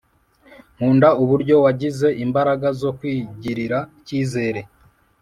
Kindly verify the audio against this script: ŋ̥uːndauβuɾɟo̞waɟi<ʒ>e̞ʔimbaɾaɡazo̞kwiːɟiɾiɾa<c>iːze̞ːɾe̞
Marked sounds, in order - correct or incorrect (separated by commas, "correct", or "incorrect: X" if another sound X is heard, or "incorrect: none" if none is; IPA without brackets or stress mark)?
incorrect: z, correct